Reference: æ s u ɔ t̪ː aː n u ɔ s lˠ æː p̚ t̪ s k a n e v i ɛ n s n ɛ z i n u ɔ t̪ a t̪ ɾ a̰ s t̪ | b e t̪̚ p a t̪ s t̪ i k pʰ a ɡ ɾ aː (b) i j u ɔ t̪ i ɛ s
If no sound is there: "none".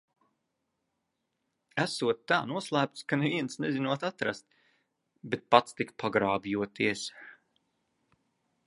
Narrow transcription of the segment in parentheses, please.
b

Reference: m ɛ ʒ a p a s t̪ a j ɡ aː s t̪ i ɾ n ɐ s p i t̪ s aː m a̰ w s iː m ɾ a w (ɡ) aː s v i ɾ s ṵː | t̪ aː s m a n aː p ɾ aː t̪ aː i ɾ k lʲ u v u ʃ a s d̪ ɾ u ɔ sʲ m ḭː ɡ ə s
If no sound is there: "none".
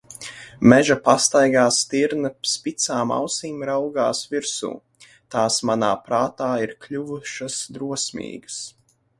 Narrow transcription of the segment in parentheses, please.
ɡ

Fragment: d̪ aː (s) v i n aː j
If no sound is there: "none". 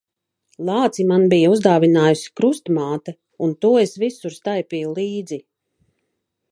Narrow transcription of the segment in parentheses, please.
none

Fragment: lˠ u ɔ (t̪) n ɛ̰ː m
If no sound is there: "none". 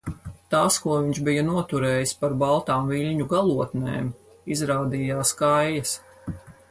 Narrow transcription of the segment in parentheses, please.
t̪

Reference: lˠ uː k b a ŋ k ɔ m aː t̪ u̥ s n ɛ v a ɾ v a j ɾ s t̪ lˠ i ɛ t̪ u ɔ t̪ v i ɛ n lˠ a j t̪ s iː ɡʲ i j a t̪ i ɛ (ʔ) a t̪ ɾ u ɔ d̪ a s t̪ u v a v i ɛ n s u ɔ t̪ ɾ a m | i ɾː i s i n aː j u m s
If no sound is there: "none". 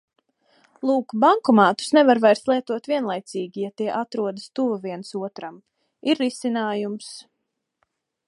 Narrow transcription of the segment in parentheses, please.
ʔ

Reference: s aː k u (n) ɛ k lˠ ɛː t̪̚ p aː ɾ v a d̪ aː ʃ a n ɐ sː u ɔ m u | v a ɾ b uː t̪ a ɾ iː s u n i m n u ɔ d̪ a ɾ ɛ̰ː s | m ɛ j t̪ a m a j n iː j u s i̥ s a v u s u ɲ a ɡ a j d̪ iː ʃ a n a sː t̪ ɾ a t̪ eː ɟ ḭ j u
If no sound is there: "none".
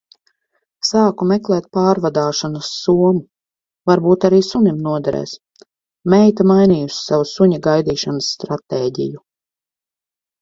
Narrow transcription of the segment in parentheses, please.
m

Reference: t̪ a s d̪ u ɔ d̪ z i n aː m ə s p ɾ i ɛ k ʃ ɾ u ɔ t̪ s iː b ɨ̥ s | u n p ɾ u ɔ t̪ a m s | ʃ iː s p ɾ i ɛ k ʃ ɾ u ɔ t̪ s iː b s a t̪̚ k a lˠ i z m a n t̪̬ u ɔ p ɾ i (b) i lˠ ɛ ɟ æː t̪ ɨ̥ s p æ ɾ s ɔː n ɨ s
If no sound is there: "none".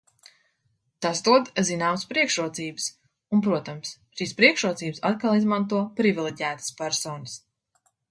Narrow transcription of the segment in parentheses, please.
v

